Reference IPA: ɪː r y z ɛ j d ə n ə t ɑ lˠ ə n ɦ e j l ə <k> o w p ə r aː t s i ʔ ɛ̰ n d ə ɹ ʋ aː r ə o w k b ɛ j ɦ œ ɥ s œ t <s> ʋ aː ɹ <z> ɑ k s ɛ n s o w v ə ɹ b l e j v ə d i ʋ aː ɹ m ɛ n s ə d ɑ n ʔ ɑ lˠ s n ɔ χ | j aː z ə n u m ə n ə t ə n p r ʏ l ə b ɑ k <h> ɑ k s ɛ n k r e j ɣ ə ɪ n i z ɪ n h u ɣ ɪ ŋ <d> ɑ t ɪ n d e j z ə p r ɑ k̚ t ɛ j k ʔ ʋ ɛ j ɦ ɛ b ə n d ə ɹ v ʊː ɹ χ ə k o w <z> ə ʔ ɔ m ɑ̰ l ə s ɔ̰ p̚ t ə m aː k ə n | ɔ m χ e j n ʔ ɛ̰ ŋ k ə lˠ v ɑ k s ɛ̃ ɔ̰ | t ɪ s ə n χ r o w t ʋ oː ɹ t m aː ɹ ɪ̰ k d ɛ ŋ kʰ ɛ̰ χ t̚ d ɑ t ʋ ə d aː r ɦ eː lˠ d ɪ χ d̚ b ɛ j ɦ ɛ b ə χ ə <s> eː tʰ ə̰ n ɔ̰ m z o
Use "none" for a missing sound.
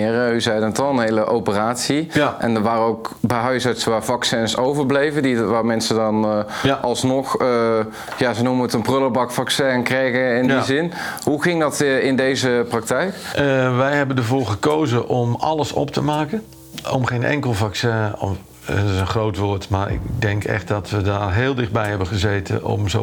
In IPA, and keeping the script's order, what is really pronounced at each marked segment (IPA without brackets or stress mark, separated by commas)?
ʔ, s, v, f, d, z, z